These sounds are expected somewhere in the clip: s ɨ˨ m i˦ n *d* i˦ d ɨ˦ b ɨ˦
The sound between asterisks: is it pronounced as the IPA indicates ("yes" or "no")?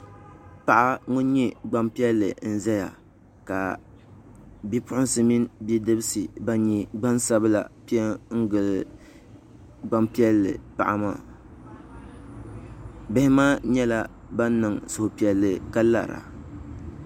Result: no